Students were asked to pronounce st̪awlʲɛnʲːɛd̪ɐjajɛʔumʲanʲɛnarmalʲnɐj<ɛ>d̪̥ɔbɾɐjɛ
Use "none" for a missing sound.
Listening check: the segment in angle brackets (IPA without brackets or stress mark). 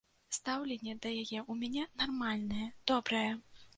ɛ